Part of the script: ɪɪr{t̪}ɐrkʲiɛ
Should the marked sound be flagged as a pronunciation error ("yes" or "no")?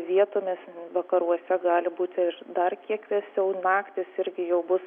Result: yes